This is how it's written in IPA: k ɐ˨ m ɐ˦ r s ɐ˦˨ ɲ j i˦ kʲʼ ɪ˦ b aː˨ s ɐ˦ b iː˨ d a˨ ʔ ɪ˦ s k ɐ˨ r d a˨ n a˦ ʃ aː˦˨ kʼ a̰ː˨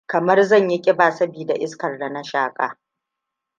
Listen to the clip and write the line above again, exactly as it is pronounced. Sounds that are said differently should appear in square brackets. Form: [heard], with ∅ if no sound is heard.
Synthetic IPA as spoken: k ɐ˨ m ɐ˦ r [z] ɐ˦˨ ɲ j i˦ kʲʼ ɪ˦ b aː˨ s ɐ˦ b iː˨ d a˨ ʔ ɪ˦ s k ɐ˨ r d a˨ n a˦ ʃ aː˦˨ kʼ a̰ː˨